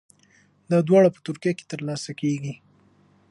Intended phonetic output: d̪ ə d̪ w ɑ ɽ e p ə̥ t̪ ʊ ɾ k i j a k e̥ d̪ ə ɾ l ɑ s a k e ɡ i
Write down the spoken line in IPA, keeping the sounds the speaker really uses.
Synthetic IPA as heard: d̪ ɑ d̪ w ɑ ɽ a p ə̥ t̪ ʊ ɾ k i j a k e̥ t̪ ə ɾ l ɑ s a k e ɡ i